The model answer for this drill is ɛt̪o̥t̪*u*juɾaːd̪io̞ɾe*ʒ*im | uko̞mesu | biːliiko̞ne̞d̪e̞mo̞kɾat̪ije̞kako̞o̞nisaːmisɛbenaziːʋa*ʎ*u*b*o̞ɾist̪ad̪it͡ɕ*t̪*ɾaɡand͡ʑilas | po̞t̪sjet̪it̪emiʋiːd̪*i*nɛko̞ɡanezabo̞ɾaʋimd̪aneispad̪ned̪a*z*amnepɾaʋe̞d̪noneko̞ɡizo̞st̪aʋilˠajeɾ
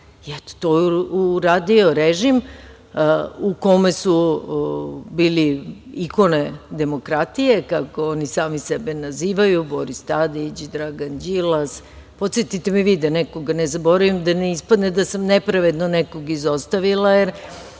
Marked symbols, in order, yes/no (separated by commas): no, yes, no, yes, no, no, no